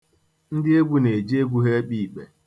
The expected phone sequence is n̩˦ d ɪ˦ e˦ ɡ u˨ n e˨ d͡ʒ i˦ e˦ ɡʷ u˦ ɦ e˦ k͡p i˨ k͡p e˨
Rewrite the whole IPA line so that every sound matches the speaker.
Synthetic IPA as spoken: n̩˦ d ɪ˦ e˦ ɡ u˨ n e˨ d͡ʒ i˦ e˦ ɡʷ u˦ ɦ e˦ k͡p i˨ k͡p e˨